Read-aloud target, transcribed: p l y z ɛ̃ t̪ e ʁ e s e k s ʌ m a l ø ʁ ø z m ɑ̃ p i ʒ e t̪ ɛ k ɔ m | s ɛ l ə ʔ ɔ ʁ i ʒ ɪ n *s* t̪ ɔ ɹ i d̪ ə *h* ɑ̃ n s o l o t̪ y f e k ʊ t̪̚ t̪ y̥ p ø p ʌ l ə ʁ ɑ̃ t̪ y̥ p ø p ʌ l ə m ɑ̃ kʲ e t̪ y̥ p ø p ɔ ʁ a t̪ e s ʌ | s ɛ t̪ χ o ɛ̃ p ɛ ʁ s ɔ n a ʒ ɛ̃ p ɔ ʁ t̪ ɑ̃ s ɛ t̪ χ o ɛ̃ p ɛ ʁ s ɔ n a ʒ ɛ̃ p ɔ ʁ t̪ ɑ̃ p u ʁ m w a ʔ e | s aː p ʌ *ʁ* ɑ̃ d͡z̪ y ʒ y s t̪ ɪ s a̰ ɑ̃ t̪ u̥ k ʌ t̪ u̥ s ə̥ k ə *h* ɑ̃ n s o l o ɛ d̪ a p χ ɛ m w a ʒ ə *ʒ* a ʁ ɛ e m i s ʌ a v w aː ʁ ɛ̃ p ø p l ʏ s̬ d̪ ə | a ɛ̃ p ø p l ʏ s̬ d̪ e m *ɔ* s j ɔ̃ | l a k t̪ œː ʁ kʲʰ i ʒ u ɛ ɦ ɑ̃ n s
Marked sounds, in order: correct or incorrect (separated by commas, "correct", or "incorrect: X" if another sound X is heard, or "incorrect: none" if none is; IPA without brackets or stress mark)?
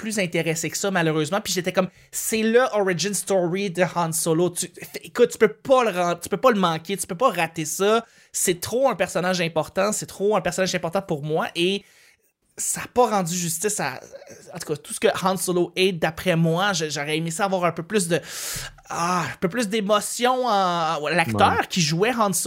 correct, correct, correct, correct, correct, correct